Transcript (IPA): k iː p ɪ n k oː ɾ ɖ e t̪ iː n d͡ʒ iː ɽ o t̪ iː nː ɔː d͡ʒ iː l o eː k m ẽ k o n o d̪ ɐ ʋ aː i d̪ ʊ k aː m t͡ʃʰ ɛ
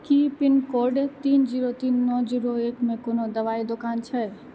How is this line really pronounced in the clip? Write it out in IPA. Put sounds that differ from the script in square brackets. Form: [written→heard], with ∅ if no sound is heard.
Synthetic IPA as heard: k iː p ɪ n k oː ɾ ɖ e t̪ iː n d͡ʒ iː [ɽ→ɾ] o t̪ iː nː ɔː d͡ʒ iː [l→ɾ] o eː k m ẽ k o n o d̪ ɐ ʋ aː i d̪ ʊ k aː [m→n] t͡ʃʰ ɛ